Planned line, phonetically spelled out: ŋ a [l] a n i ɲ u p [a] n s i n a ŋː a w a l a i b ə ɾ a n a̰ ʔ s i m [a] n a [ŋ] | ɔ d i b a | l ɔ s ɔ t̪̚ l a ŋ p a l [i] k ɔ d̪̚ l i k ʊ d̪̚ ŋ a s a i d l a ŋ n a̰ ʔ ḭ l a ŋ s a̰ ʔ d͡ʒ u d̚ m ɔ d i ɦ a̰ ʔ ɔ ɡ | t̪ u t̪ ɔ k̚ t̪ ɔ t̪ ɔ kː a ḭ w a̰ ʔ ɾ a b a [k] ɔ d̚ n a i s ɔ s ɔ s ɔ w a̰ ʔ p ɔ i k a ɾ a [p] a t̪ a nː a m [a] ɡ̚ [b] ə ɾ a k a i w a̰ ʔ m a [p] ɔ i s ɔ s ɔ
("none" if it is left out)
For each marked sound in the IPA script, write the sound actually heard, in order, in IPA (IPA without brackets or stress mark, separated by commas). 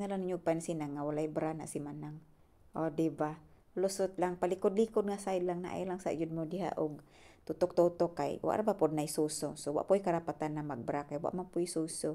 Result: l, a, a, ŋ, i, p, p, a, b, p